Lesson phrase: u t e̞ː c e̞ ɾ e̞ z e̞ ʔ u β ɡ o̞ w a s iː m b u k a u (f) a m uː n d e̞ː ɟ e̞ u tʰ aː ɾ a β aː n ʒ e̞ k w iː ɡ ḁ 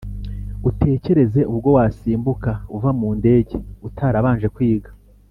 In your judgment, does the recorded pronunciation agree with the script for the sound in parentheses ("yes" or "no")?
no